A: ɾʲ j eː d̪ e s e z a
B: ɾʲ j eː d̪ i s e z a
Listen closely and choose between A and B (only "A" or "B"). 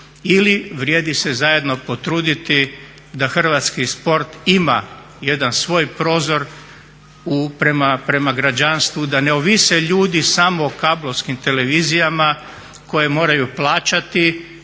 B